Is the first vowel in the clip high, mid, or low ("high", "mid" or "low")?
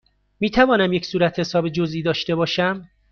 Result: high